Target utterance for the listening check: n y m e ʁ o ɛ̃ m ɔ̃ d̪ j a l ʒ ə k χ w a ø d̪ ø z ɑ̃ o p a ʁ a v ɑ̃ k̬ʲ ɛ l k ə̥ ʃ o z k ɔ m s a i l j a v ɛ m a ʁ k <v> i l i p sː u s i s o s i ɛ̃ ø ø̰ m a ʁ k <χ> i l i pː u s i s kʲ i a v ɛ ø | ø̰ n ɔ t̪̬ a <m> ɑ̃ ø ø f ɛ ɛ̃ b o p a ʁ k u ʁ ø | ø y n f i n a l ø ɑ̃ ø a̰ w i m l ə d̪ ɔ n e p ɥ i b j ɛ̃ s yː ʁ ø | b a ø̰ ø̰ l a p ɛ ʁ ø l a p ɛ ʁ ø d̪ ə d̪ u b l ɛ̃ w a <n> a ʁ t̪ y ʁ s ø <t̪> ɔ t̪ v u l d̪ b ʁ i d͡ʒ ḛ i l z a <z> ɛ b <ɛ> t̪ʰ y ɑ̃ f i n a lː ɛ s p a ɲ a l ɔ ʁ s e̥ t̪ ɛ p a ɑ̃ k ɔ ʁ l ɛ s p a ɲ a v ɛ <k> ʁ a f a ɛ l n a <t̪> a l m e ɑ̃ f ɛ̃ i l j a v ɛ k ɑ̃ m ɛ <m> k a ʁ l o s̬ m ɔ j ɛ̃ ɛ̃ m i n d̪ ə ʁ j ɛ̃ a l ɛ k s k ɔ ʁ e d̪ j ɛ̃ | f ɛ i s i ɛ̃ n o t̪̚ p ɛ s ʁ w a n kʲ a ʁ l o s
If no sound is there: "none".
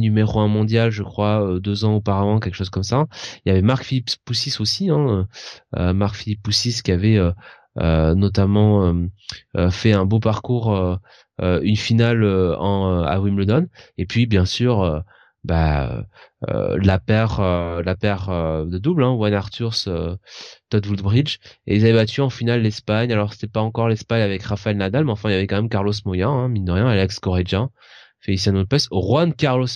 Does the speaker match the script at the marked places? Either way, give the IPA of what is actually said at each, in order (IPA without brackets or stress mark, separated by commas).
f, f, m, n, t̪, v, a, k, d̪, m